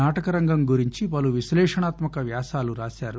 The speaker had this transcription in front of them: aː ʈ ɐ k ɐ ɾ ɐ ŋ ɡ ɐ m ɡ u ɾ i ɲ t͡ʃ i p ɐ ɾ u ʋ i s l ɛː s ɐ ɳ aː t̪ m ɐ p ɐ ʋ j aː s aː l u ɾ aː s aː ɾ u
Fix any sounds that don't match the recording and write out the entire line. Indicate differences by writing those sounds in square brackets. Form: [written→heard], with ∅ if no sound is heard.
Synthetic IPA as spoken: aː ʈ ɐ k ɐ ɾ ɐ ŋ ɡ ɐ m ɡ u ɾ i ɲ t͡ʃ i p ɐ [ɾ→l] u ʋ i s l ɛː [s→ʂ] ɐ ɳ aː t̪ m ɐ [p→k] ɐ ʋ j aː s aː l u ɾ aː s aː ɾ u

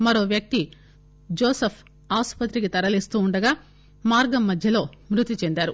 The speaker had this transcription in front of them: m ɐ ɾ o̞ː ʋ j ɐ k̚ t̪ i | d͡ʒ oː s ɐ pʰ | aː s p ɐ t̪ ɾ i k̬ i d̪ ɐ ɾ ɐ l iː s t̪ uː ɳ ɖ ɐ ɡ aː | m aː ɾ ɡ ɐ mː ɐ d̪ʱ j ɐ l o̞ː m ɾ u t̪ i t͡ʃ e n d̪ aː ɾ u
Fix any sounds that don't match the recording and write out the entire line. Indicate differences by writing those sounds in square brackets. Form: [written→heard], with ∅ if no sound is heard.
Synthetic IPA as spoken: m ɐ ɾ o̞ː ʋ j ɐ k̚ t̪ i | d͡ʒ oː s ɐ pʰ | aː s p ɐ t̪ ɾ i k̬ i [d̪→t̪] ɐ ɾ ɐ l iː s t̪ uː ɳ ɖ ɐ ɡ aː | m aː ɾ ɡ ɐ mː ɐ d̪ʱ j ɐ l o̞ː m ɾ u t̪ i t͡ʃ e n d̪ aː ɾ u

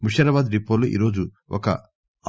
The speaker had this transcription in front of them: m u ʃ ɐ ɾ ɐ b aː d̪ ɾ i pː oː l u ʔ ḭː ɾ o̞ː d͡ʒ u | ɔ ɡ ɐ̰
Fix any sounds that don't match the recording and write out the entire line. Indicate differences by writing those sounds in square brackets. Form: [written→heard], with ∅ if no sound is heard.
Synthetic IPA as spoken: m u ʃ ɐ ɾ ɐ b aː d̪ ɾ i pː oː l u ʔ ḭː ɾ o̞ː d͡ʒ u | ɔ [ɡ→k] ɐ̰

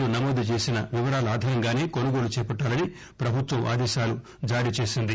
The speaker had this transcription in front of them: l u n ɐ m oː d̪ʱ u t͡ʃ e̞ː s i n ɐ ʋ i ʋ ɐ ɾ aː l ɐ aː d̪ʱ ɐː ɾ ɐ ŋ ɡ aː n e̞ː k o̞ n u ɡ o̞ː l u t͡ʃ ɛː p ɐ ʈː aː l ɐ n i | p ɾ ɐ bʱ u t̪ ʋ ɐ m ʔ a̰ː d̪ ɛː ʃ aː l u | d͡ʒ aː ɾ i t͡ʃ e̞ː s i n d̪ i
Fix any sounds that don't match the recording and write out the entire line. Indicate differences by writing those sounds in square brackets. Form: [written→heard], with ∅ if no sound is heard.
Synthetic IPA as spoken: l u n ɐ m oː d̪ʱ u t͡ʃ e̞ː s i n ɐ ʋ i ʋ ɐ ɾ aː l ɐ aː d̪ʱ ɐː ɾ ɐ ŋ ɡ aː n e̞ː k o̞ n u ɡ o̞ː l u t͡ʃ ɛː p ɐ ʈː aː l ɐ n i | p ɾ ɐ bʱ u t̪ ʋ ɐ m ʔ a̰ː d̪ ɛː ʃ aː l u | d͡ʒ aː ɾ i t͡ʃ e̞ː s i n d̪ i

